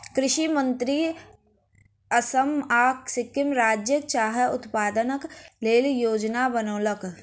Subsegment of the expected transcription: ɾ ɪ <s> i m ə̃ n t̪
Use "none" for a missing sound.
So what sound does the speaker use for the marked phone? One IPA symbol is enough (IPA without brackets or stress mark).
ʃ